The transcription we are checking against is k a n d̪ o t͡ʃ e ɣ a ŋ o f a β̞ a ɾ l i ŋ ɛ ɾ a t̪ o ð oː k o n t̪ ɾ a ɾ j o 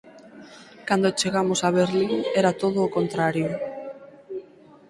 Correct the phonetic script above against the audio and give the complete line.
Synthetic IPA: k a n d̪ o t͡ʃ e ɣ a m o s a β̞ e ɾ l i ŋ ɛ ɾ a t̪ o ð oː k o n t̪ ɾ a ɾ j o